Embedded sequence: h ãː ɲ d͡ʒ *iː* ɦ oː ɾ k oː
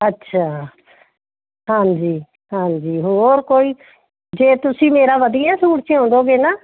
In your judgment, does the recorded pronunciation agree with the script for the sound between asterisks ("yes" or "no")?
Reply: yes